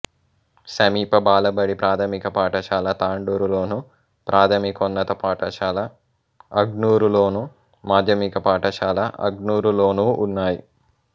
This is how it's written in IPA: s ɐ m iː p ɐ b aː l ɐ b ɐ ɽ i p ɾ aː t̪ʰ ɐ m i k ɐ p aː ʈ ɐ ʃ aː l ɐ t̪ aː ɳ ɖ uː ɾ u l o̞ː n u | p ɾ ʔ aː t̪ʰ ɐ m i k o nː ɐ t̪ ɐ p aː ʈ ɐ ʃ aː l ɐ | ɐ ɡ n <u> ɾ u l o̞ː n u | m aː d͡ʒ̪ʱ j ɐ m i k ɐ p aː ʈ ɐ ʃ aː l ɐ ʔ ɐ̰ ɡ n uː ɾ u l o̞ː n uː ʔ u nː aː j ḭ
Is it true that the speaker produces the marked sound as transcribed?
no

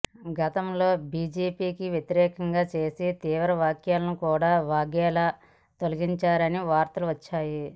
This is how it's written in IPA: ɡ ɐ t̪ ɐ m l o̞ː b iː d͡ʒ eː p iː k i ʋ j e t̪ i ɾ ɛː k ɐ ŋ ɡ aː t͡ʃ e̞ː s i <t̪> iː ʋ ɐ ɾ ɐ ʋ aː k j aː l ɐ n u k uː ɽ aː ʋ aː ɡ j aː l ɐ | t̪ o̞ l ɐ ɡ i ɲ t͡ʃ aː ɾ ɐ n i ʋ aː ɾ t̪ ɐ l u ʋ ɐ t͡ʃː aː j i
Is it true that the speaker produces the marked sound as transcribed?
yes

